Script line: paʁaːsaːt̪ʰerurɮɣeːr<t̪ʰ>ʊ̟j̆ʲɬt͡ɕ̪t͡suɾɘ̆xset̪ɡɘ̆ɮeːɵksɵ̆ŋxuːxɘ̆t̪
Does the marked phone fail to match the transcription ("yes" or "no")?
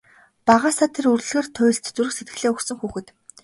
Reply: no